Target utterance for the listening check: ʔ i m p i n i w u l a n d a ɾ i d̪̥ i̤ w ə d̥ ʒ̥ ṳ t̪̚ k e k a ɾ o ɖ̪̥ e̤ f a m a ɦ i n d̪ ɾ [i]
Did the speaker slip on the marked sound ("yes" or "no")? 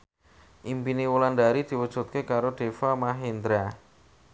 yes